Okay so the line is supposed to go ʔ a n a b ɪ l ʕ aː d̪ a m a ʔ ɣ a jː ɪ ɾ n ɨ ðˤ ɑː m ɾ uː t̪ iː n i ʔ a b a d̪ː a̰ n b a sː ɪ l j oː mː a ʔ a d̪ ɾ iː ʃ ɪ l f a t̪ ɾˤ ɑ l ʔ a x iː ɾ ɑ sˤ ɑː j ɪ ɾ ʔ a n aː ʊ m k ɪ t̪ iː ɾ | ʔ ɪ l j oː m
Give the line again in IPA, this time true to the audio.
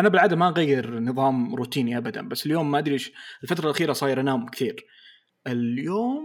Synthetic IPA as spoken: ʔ a n a b ɪ l ʕ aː d̪ a m a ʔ ɣ a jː ɪ ɾ n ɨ ðˤ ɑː m ɾ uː t̪ iː n i ʔ a b a d̪ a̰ n b a sː ɪ l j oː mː a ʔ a d̪ ɾ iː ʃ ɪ l f a t̪ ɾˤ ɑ l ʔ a x iː ɾ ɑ sˤ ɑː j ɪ ɾ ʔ a n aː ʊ m k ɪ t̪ iː ɾ | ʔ ɪ l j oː m